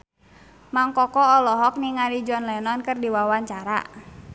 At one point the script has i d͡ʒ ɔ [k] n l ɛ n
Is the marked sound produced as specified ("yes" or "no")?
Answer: no